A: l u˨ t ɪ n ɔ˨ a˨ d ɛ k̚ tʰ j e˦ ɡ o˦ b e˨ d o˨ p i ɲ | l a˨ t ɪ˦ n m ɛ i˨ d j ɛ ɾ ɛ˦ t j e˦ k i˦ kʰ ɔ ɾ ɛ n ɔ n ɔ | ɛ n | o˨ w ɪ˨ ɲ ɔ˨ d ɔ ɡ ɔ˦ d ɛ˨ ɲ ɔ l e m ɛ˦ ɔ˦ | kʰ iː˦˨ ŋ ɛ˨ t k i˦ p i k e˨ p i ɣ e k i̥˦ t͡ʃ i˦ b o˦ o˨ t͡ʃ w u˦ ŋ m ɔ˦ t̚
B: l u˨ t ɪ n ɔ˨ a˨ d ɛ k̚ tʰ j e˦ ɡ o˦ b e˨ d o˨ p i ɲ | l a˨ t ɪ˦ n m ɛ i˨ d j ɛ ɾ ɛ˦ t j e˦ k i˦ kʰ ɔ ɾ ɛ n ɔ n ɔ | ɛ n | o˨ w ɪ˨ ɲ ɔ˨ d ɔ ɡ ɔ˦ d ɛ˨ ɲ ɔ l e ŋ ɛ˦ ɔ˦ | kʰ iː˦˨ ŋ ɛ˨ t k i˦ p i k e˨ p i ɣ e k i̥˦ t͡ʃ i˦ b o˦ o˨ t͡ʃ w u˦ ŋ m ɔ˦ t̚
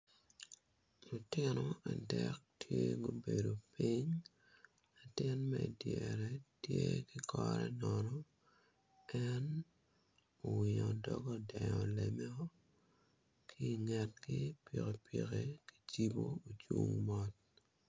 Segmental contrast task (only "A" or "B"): A